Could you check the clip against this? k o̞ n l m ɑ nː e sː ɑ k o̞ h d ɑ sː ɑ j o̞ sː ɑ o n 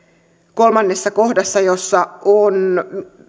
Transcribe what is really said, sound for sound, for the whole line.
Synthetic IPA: k o̞ l m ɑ nː e sː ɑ k o̞ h d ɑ sː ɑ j o̞ sː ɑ o n

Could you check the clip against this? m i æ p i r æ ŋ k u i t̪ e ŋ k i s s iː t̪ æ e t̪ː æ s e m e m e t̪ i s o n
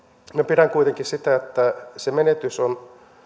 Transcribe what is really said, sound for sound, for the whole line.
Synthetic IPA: m i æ p i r æ ŋ k u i t̪ e ŋ k i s s i t̪ æ e t̪ː æ s e m e n e t̪ y s o n

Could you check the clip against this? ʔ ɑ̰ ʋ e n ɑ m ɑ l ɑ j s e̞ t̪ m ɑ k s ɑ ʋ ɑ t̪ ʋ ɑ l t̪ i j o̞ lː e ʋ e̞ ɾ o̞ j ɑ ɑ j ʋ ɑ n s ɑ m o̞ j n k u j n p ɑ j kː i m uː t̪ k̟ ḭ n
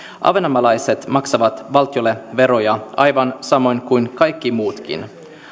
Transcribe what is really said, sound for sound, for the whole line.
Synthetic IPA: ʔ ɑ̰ ʋ e n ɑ m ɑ l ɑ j s e̞ t̪ m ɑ k s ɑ ʋ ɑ t̪ ʋ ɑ l t̪ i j o̞ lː e ʋ e̞ ɾ o̞ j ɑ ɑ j ʋ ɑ n s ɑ m o̞ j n k u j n k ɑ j kː i m uː t̪ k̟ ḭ n

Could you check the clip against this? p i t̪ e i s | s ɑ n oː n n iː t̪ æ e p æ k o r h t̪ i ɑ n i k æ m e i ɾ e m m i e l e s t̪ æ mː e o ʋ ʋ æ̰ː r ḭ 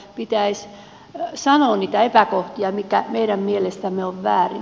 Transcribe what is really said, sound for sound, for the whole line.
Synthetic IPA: p i t̪ æ i s | s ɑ n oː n n iː t̪ æ e p æ k o h t̪ i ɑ m i k æ m e i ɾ æ m m i e l e s t̪ æ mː e o ʋ ʋ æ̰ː r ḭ

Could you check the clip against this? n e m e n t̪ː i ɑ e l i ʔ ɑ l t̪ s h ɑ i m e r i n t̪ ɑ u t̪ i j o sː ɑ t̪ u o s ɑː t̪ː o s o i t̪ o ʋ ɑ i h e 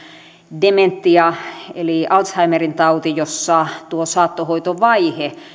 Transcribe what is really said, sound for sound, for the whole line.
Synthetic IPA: d e m e n t̪ː i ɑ e l i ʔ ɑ l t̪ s h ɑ i m e r i n t̪ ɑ u t̪ i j o sː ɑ t̪ u o s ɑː t̪ː o h o i t̪ o ʋ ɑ i h e

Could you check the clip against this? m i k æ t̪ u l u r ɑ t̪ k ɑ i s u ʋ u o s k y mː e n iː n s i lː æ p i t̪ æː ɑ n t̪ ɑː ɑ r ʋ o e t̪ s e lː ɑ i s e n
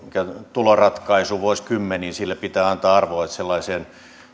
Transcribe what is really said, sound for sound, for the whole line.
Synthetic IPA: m i k æ t̪ u l o r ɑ t̪ k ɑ i s u ʋ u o s k y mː e n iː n s i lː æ p i t̪ æː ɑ n t̪ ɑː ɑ r ʋ o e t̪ s e lː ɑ i s e n

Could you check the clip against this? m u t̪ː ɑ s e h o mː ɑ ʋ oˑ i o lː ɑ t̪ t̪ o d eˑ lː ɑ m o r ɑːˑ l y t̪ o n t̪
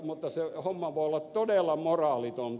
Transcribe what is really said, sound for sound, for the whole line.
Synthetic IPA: m u t̪ː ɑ s e h o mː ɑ ʋ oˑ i o lː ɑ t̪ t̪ o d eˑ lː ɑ m o r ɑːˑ l i t̪ o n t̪

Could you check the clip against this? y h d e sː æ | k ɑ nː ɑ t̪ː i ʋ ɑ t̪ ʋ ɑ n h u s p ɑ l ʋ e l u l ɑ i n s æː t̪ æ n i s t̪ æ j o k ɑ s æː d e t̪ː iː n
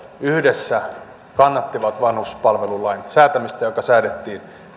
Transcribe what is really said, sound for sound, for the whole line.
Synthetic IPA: y h d e sː æ | k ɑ nː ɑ t̪ː i ʋ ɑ t̪ ʋ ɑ n h u s p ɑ l ʋ e l u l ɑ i n s æː t̪ æ m i s t̪ æ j o k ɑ s æː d e t̪ː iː n

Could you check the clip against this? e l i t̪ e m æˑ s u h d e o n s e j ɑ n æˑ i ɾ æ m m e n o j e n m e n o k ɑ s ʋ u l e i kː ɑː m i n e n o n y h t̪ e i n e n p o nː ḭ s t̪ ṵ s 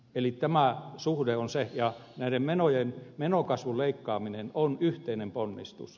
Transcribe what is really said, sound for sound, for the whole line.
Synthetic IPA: e l i t̪ æ m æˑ s u h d e o n s e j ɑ n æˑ i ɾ e m m e n o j e n m e n o k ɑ s ʋ u l e i kː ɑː m i n e n o n y h t̪ e i n e m p o nː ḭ s t̪ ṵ s

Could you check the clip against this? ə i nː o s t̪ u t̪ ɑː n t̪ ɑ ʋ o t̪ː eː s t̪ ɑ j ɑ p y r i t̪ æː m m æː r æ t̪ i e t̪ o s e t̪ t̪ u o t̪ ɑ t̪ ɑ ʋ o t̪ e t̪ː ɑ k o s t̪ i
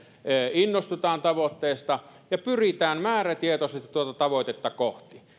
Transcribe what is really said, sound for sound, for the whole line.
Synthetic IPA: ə i nː o s t̪ u t̪ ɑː n t̪ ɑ ʋ o t̪ː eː s t̪ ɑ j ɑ p y r i t̪ æː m m æː r æ t̪ i e t̪ o s e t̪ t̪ u o t̪ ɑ t̪ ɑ ʋ o t̪ e t̪ː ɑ k o h t̪ i

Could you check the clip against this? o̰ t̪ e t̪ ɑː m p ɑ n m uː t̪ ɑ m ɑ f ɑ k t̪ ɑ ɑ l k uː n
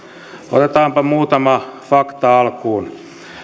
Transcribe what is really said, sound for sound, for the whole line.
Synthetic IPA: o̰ t̪ e t̪ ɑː m p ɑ m uː t̪ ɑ m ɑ f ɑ k t̪ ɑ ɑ l k uː n

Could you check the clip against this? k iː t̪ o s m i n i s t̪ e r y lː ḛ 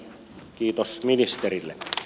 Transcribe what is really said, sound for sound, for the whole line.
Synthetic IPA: k iː t̪ o s m i n i s t̪ e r i lː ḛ

